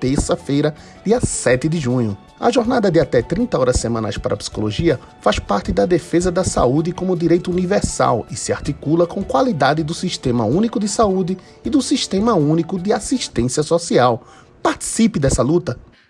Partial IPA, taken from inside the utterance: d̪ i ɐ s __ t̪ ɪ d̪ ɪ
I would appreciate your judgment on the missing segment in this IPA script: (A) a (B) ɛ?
B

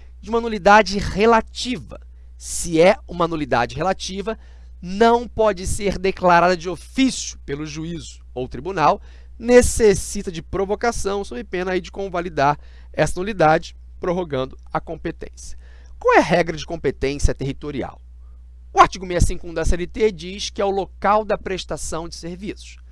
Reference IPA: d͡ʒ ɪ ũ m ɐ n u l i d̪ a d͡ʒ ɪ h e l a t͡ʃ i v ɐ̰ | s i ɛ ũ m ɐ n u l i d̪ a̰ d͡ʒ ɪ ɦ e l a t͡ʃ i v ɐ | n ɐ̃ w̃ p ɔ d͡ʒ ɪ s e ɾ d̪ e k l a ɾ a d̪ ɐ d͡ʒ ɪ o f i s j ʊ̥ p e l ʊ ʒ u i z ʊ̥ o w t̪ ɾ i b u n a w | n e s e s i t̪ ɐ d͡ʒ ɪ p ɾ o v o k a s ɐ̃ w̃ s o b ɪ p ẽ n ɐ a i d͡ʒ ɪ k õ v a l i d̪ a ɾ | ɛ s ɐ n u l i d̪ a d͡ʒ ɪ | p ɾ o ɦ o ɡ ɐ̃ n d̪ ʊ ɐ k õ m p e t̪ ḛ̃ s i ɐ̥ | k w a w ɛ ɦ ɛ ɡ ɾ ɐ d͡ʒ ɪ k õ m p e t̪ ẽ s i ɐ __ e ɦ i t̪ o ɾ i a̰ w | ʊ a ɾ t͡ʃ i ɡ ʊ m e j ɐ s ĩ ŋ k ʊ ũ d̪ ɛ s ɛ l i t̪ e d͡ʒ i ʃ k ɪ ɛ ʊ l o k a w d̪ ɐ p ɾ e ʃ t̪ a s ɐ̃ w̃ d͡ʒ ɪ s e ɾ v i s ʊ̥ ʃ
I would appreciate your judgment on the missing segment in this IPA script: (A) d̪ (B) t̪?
B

